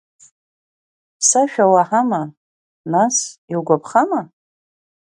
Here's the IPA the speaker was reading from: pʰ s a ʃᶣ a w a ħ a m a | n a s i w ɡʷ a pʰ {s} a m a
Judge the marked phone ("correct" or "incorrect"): incorrect